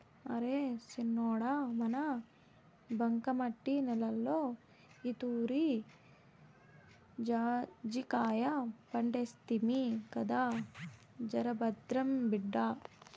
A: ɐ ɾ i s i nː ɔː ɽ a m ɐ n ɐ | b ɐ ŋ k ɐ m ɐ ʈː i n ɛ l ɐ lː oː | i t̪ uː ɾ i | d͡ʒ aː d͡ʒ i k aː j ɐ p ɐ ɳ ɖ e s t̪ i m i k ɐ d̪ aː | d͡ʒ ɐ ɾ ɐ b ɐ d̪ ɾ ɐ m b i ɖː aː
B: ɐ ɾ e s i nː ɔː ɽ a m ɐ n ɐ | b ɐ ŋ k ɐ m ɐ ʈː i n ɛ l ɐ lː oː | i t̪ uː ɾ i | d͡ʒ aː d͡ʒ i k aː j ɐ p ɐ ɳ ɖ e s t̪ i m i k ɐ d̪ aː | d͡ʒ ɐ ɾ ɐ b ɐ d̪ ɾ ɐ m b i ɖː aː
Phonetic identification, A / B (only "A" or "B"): B